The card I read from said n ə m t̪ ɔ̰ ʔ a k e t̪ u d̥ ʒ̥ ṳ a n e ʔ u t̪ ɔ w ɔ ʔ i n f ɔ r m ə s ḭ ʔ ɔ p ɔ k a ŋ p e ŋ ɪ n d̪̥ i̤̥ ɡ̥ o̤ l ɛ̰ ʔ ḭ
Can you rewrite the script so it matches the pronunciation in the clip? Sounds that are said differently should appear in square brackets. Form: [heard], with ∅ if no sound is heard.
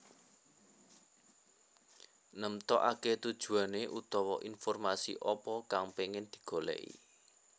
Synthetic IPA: n ə m t̪ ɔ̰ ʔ a k e t̪ u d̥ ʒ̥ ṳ a n e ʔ u t̪ ɔ w ɔ ʔ i n f ɔ r m [a] s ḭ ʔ ɔ p ɔ k a ŋ p e ŋ ɪ n d̪̥ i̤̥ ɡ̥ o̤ l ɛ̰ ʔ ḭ